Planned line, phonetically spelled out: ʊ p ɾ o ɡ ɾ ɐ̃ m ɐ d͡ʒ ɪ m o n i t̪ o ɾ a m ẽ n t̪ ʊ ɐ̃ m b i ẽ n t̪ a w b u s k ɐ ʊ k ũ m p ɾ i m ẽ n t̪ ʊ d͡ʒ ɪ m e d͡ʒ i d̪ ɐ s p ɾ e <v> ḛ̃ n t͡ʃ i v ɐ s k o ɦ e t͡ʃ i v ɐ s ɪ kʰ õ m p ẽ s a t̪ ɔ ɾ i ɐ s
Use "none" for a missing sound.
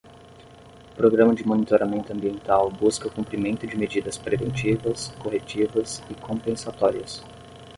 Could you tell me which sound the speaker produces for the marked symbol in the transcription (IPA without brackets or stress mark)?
v